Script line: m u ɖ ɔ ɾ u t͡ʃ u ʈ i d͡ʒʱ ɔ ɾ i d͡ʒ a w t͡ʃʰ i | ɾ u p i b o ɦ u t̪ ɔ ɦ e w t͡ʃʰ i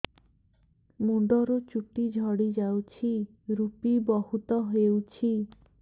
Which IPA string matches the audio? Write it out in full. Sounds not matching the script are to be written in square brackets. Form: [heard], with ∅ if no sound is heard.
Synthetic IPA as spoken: m u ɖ ɔ ɾ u t͡ʃ u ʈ i d͡ʒʱ ɔ [ɽ] i d͡ʒ a w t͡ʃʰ i | ɾ u p i b [ɔ] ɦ u t̪ ɔ ɦ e w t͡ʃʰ i